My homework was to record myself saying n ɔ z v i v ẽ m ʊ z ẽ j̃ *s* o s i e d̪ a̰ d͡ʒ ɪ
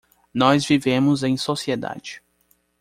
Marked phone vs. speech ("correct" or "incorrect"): correct